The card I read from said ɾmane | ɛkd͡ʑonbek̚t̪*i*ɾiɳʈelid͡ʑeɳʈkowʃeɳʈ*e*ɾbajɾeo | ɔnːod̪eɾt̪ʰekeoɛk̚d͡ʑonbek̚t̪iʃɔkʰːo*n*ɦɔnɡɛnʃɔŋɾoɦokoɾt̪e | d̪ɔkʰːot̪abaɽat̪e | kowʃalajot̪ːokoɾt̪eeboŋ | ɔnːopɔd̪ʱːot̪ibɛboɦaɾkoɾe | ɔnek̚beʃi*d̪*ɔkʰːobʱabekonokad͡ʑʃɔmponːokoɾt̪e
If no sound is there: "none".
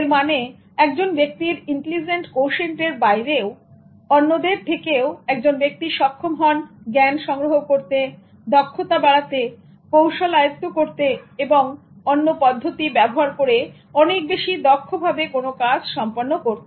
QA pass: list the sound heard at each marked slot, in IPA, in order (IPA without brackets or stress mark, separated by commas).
i, e, m, d̪